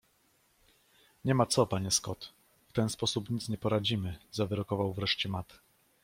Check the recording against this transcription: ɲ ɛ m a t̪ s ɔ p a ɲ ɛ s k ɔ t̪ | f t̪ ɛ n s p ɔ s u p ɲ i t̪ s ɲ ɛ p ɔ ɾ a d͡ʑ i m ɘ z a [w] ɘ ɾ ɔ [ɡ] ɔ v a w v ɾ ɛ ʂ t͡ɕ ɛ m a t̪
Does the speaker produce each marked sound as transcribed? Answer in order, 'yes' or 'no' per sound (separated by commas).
no, no